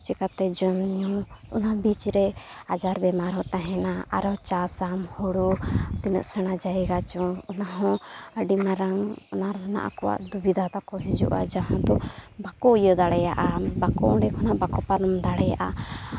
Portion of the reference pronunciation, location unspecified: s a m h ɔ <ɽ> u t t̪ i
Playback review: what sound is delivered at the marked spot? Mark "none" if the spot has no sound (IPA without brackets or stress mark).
ɽ